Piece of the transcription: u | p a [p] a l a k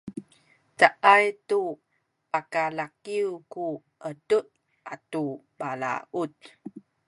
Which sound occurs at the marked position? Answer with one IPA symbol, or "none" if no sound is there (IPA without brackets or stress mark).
k